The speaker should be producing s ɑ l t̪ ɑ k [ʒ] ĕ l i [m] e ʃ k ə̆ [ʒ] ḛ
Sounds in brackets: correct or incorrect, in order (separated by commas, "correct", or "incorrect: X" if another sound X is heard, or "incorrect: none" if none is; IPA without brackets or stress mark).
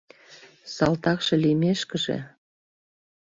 incorrect: ʃ, correct, correct